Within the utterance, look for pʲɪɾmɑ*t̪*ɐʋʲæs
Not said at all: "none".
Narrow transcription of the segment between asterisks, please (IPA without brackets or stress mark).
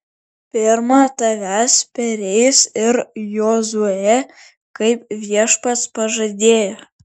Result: t̪